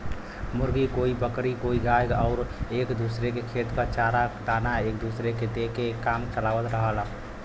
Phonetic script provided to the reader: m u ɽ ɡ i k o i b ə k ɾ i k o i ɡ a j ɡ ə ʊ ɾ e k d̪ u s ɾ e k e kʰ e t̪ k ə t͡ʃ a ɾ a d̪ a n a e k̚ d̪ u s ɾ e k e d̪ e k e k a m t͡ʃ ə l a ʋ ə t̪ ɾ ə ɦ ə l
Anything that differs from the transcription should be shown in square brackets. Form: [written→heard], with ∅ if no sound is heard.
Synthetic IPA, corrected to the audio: m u [ɽ→ɾ] ɡ i k o i b ə k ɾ i k o i ɡ a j ɡ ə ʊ ɾ e k d̪ u s ɾ e k e kʰ e t̪ k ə t͡ʃ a ɾ a d̪ a n a e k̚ d̪ u s ɾ e k e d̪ e k e k a m t͡ʃ ə l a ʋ ə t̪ ɾ ə ɦ ə l